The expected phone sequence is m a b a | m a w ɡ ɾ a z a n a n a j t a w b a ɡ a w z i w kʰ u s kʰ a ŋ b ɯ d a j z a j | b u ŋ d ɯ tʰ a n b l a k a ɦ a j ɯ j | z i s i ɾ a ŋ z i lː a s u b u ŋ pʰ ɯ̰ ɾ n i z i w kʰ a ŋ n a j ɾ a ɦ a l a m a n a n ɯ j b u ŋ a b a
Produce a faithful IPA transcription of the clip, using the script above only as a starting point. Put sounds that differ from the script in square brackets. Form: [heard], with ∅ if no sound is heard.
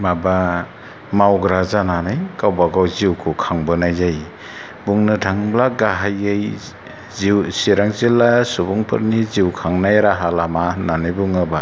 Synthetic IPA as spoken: m a b a | m a w ɡ ɾ a z a n a n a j [k] a w b a ɡ a w z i w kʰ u [∅] kʰ a ŋ b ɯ [n] a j z a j | b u ŋ [n] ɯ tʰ a [ŋ] b l a [ɡ] a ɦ a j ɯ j | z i s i ɾ a ŋ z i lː a s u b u ŋ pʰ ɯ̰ ɾ n i z i w kʰ a ŋ n a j ɾ a ɦ a l a m a n a n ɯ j b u ŋ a b a

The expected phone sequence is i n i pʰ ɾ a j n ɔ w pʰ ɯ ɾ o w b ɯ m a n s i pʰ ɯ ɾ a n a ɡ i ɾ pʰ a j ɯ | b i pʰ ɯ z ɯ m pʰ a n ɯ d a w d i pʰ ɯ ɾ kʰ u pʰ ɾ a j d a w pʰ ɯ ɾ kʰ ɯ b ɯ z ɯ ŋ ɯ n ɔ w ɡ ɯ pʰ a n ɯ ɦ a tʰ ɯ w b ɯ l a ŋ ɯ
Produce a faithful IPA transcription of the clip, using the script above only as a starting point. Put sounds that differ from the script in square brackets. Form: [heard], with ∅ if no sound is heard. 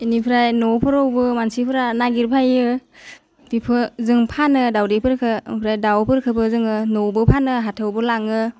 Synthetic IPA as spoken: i n i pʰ ɾ a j n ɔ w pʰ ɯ ɾ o w b ɯ m a n s i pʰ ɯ ɾ a n a ɡ i ɾ pʰ a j ɯ | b i pʰ ɯ z ɯ [ŋ] pʰ a n ɯ d a w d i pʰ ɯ ɾ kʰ [ɯ] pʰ ɾ a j d a w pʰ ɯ ɾ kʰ ɯ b ɯ z ɯ ŋ ɯ n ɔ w [b] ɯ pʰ a n ɯ ɦ a tʰ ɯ w b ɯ l a ŋ ɯ

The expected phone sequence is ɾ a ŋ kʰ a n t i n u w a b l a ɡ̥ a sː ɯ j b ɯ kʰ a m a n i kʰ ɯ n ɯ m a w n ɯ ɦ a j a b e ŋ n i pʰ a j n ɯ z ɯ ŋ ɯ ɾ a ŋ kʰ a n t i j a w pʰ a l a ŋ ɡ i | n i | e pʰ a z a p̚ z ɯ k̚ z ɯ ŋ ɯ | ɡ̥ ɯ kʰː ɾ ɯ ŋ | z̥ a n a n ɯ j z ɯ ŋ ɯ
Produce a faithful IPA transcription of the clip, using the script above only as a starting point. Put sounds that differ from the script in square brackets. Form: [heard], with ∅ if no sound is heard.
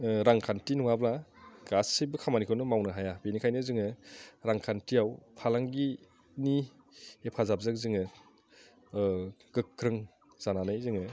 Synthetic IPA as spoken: ɾ a ŋ kʰ a n t i n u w a b l a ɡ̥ a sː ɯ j b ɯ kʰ a m a n i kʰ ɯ n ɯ m a w n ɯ ɦ a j a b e [∅] n i [kʰ] a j n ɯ z ɯ ŋ ɯ ɾ a ŋ kʰ a n t i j a w pʰ a l a ŋ ɡ i | n i | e pʰ a z a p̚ z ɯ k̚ z ɯ ŋ ɯ | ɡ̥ ɯ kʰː ɾ ɯ ŋ | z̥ a n a n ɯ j z ɯ ŋ ɯ

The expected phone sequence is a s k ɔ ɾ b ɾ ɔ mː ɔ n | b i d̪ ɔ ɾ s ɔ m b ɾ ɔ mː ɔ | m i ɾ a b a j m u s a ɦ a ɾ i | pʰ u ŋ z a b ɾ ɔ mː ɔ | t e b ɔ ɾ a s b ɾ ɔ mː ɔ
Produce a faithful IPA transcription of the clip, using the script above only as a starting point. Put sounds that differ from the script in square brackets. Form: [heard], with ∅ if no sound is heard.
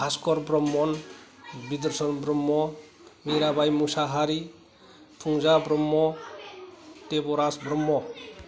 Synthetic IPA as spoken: a s k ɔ ɾ b ɾ ɔ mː ɔ n | b i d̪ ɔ ɾ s ɔ [n] b ɾ ɔ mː ɔ | m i ɾ a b a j m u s a ɦ a ɾ i | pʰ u ŋ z a b ɾ ɔ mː ɔ | t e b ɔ ɾ a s b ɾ ɔ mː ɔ

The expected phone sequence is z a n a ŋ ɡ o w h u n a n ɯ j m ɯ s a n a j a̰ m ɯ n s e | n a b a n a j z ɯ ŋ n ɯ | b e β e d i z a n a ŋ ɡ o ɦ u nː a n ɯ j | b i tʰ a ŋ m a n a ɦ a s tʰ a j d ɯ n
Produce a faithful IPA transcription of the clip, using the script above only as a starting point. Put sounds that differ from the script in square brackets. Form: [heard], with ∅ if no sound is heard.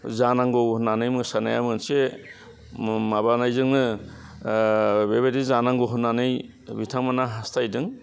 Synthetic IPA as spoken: z a n a ŋ ɡ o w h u n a n ɯ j m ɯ s a n a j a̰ m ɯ n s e | [m] a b a n a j z ɯ ŋ n ɯ | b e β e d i z a n a ŋ ɡ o ɦ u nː a n ɯ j | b i tʰ a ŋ m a n a ɦ a s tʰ a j d ɯ [ŋ]

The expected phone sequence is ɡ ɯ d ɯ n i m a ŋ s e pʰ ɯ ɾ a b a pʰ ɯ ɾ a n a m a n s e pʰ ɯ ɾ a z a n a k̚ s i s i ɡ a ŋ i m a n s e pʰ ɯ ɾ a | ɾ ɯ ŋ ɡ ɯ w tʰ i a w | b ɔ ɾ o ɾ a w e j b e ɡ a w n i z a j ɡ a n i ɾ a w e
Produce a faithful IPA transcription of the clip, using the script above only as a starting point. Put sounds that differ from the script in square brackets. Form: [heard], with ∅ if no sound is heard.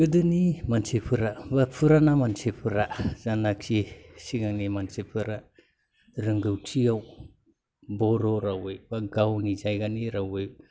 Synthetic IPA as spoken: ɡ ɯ d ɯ n i m a [n] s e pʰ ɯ ɾ a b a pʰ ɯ ɾ a n a m a n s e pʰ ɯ ɾ a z a n a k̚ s i s i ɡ a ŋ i m a n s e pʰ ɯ ɾ a | ɾ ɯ ŋ ɡ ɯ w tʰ i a w | b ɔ ɾ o ɾ a w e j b [a] ɡ a w n i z a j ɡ a n i ɾ a w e

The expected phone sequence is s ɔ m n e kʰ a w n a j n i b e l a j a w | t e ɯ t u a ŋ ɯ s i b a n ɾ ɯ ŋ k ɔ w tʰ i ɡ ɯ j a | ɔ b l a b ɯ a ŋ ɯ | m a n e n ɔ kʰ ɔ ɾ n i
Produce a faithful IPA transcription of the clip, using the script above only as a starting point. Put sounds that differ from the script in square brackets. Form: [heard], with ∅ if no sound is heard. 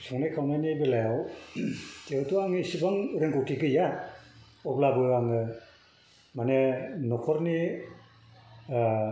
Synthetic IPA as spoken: s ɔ [ŋ] n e kʰ a w n a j n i b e l a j a w | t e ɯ t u a ŋ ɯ s i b a [ŋ] ɾ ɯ ŋ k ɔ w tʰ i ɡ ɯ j a | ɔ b l a b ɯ a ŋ ɯ | m a n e n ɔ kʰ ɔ ɾ n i

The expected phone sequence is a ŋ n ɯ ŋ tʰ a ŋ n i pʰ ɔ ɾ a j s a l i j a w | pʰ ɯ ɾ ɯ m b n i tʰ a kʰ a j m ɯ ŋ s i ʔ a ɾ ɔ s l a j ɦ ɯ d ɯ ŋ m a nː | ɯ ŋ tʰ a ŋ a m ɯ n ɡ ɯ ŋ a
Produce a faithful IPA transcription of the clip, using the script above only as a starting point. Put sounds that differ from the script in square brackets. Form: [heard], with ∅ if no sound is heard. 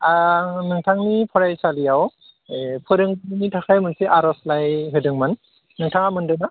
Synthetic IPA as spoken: a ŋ n ɯ ŋ tʰ a ŋ n i pʰ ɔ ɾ a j s a l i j a w | pʰ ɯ ɾ ɯ [ŋ] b n i tʰ a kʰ a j m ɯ [n] s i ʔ a ɾ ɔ s l a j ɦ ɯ d ɯ ŋ m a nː | ɯ ŋ tʰ a ŋ a m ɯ n [d] ɯ [n] a

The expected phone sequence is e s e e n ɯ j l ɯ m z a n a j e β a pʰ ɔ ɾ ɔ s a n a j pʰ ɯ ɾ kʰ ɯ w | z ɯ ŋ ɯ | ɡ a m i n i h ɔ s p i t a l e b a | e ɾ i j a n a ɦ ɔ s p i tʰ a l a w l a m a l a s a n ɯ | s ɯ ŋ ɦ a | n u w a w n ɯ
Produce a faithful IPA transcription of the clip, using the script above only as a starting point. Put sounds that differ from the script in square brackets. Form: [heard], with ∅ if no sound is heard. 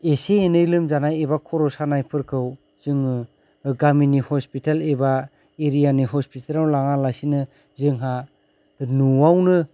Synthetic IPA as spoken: e s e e n ɯ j l ɯ m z a n a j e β a [kʰ] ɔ ɾ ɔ s a n a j pʰ ɯ ɾ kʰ ɯ w | z ɯ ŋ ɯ | ɡ a m i n i h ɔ s p i t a l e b a | e ɾ i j a n [i] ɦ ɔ s p i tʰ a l a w l a [ŋ] a l a s [i] n ɯ | [z] ɯ ŋ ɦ a | n u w a w n ɯ

